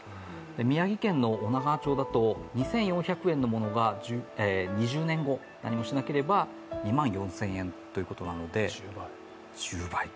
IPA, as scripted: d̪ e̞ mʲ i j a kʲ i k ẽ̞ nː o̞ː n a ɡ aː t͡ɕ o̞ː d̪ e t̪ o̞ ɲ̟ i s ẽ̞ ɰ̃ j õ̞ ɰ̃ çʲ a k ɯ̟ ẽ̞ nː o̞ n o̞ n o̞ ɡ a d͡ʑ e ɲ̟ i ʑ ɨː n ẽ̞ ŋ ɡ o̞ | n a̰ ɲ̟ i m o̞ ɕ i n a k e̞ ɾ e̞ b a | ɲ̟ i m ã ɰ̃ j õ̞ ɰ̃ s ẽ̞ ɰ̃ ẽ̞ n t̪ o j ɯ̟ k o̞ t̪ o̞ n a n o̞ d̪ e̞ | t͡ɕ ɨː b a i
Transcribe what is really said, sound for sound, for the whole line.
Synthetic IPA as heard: d̪ e̞ mʲ i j a ɡʲ i k ẽ̞ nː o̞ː n a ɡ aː t͡ɕ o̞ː d̪ a t̪ o̞ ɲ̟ i s ẽ̞ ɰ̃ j õ̞ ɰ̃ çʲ a k ɯ̟ ẽ̞ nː o̞ m o̞ n o̞ ɡ a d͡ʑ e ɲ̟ i ʑ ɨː n ẽ̞ ŋ ɡ o̞ | n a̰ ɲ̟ i m o̞ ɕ i n a k e̞ ɾ e̞ b a | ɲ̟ i m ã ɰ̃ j õ̞ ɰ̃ s ẽ̞ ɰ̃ ẽ̞ n t̪ o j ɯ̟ k o̞ t̪ o̞ n a n o̞ d̪ e̞ | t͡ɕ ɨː b a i